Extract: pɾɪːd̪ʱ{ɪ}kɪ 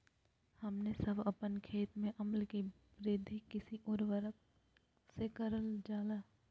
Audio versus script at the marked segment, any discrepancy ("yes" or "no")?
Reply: yes